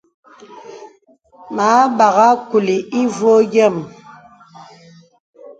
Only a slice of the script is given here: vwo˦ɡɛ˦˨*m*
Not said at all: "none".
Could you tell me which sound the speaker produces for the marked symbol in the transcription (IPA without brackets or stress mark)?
m